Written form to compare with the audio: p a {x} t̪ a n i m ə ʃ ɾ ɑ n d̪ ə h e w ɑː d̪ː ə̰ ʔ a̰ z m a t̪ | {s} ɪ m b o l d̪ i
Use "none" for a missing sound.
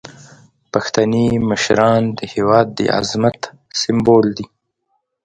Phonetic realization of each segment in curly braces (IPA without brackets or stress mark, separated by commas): x, s